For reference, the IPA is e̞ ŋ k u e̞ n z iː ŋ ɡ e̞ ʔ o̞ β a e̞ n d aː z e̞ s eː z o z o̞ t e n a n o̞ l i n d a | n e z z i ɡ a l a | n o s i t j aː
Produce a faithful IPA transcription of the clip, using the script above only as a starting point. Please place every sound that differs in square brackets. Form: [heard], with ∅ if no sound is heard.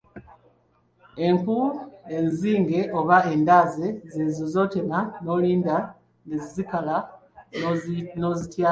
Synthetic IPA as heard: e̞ ŋ k u e̞ n z iː ŋ ɡ e̞ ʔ o̞ β a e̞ n d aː z e̞ [z] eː z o z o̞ t e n a n o̞ l [iː] n d a | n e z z i [k] a l a | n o [z] i t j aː